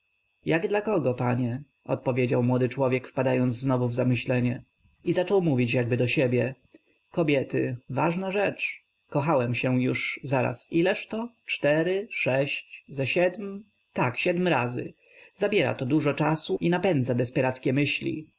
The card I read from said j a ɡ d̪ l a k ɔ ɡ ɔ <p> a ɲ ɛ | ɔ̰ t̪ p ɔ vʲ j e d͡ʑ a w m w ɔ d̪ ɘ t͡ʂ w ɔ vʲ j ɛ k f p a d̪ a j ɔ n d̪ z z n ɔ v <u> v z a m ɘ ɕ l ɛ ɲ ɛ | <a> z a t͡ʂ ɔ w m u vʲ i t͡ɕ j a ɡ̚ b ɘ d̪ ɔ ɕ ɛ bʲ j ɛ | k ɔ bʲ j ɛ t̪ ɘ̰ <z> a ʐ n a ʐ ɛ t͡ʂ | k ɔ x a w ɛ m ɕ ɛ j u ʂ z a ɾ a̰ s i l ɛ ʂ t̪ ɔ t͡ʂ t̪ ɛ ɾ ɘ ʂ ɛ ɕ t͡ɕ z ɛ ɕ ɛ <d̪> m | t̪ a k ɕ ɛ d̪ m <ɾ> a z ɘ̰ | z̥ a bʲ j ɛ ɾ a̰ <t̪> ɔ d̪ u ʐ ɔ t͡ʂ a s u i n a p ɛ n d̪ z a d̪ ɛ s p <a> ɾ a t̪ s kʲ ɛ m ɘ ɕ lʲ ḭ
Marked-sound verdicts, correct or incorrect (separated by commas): correct, correct, incorrect, incorrect, correct, correct, correct, incorrect